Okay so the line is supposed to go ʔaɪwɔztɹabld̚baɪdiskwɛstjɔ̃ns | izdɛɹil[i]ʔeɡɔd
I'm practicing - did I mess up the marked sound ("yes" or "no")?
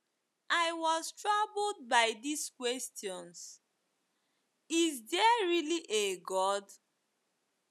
no